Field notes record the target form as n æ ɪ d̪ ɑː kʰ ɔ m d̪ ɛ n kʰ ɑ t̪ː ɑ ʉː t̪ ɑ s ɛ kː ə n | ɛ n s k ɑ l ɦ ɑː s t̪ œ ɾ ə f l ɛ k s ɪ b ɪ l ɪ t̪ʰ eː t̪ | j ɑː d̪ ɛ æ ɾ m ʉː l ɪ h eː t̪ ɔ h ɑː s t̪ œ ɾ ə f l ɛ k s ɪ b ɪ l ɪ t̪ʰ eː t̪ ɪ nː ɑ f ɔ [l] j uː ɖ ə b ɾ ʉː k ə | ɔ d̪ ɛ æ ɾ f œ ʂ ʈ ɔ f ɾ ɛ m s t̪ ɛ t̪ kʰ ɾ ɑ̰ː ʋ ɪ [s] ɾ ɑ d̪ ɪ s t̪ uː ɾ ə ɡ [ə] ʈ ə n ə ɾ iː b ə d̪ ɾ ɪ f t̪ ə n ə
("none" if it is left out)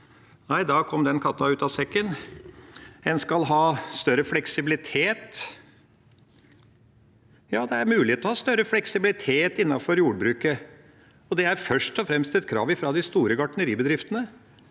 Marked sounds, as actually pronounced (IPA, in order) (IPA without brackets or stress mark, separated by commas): ɾ, f, ɑ